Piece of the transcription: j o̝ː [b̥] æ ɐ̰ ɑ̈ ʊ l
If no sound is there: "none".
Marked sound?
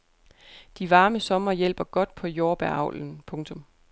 b̥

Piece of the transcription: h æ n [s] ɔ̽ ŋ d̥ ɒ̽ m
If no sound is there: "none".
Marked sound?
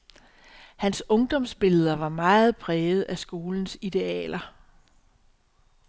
s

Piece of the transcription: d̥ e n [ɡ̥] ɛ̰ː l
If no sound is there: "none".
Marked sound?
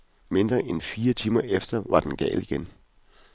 ɡ̥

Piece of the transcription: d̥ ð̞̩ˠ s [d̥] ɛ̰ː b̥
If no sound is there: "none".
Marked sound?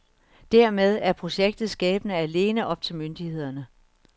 ɡ̥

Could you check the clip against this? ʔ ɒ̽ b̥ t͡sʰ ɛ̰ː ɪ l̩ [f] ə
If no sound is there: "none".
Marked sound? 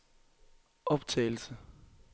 s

